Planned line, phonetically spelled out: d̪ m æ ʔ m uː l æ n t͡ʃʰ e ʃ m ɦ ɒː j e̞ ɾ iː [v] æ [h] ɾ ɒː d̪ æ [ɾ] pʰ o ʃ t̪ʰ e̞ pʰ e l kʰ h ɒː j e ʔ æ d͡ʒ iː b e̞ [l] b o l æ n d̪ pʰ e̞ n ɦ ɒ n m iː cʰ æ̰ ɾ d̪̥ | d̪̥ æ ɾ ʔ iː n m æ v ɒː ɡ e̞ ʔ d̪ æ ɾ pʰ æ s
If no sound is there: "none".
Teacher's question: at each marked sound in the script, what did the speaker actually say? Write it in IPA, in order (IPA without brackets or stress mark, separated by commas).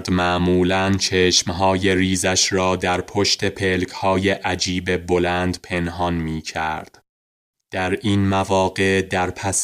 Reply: z, ʃ, ɾ, none